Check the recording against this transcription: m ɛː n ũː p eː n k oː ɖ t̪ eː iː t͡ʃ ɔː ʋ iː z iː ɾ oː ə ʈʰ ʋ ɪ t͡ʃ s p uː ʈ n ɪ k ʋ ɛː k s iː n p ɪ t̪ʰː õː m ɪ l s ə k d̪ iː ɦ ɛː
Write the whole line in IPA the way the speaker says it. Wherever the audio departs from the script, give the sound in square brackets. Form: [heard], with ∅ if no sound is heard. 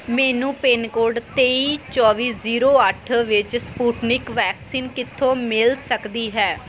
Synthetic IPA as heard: m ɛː n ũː p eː n k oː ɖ t̪ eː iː t͡ʃ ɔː ʋ iː z iː ɾ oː ə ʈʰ ʋ ɪ t͡ʃ s p uː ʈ n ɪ k ʋ ɛː k s iː n [k] ɪ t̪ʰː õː m ɪ l s ə k d̪ iː ɦ ɛː

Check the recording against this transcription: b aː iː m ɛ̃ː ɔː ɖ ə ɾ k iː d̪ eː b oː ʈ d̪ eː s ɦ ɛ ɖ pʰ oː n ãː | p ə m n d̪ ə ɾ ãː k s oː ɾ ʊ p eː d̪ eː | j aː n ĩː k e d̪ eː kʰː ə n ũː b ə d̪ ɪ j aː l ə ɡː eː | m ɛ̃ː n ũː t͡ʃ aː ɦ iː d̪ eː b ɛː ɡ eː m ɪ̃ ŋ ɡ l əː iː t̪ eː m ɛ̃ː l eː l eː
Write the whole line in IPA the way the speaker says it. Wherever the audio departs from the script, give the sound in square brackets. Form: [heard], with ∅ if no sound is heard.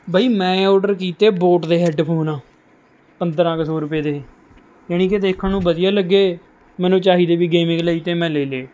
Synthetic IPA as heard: b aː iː m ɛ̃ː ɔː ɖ ə ɾ k iː [t̪] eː b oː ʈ d̪ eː [∅] ɦ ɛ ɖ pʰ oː n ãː | p ə [∅] n d̪ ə ɾ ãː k s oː ɾ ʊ p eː d̪ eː | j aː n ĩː k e d̪ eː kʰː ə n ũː b ə d̪ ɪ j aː l ə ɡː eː | m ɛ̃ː n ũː t͡ʃ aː ɦ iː d̪ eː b [iː] ɡ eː m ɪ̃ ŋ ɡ l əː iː t̪ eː m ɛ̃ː l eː l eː

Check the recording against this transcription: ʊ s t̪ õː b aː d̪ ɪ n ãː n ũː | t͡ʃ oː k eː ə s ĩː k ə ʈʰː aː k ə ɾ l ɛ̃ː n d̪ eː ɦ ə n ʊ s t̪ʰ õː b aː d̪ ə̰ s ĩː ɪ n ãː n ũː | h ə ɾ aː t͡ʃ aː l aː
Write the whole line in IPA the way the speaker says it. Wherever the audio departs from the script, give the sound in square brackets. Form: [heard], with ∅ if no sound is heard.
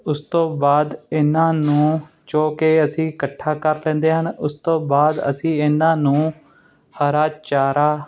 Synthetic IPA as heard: ʊ s t̪ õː b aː d̪ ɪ n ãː n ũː | t͡ʃ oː k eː ə s ĩː k ə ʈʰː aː k ə ɾ l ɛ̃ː n d̪ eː ɦ ə n ʊ s [t̪] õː b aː d̪ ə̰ s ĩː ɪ n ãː n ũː | h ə ɾ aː t͡ʃ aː [ɾ] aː

